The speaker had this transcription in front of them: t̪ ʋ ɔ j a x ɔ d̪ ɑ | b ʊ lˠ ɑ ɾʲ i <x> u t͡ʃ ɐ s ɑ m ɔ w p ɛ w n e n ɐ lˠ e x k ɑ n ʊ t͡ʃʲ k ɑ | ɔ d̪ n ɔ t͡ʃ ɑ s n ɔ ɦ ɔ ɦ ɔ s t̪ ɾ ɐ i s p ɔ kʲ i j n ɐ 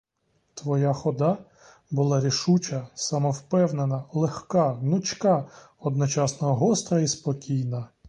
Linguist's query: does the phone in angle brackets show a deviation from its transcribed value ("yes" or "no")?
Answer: yes